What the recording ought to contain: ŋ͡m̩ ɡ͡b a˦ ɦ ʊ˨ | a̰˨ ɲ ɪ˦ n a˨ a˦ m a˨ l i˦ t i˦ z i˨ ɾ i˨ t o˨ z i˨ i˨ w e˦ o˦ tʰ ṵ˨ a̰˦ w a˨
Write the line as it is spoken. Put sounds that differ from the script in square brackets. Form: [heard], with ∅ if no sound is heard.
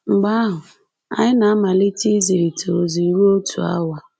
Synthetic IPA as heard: ŋ͡m̩ ɡ͡b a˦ ɦ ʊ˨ | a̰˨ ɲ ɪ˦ n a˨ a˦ m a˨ l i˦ t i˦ z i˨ ɾ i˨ t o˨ z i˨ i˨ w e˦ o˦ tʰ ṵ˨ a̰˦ w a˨